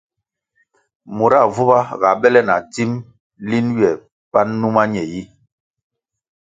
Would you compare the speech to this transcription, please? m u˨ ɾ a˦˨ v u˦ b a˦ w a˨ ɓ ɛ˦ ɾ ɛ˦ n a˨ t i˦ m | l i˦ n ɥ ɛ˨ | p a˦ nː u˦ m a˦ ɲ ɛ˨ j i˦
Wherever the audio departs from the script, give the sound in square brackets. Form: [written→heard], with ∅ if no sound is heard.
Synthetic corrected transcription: m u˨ ɾ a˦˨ v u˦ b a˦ [w→ɣ] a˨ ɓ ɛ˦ [ɾ→l] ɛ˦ n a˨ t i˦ m | l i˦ n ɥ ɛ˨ | p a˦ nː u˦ m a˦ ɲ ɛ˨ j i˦

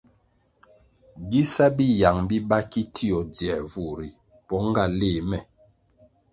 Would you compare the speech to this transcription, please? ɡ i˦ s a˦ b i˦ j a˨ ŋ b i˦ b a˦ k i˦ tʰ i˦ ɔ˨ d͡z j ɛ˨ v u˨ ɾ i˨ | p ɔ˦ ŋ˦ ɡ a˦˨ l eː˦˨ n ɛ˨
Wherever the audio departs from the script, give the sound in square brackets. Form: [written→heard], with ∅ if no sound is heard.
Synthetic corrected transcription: ɡ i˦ s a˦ b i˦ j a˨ ŋ b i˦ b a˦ k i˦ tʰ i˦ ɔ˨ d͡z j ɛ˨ v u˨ ɾ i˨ | p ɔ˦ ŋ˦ ɡ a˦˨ l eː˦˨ [n→m] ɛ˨

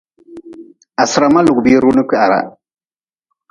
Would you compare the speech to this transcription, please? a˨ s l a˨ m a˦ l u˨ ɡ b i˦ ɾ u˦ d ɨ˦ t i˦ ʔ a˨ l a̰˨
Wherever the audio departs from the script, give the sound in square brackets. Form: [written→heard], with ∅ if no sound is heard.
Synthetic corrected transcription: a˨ s [l→ɾ] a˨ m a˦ l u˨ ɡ b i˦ ɾ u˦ [d→n] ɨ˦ [t→k] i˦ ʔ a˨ [l→ɾ] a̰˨

